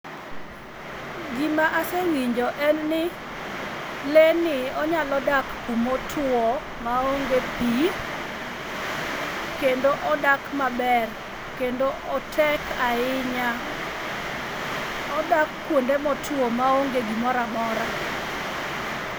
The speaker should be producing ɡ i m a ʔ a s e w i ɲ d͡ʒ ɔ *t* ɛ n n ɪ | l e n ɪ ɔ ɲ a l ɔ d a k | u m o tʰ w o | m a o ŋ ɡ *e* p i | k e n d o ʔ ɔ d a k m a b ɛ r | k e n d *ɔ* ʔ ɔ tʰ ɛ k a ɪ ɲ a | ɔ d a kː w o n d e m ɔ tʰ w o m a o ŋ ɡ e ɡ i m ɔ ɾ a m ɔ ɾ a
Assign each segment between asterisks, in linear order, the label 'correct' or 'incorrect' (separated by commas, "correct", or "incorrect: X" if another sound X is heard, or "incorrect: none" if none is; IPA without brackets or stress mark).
incorrect: ʔ, correct, incorrect: o